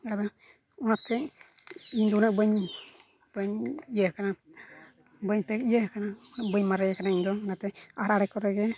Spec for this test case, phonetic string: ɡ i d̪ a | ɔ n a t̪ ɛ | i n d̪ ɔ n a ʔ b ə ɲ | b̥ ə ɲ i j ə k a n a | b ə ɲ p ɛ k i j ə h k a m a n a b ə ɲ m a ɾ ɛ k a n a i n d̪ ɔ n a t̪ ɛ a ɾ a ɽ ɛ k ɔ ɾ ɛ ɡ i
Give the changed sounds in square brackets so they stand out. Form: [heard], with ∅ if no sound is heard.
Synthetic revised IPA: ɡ [a] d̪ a | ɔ n a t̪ ɛ | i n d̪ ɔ n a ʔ b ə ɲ | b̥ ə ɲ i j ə k a n a | b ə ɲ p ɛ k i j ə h k a [n] a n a b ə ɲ m a ɾ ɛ k a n a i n d̪ ɔ n a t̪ ɛ a ɾ a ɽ ɛ k ɔ ɾ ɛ ɡ [ɛ]